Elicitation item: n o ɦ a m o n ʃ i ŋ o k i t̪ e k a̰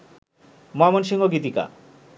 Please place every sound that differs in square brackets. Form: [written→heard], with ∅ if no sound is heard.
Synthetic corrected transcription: [n→m] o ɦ a m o n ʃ i ŋ o [k→ɡ] i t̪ [e→i] k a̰